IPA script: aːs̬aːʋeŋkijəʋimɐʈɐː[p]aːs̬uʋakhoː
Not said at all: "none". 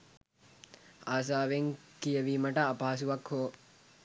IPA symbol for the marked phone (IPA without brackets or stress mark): p